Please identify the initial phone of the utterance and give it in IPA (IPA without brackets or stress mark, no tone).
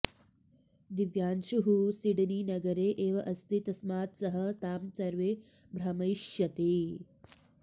d̪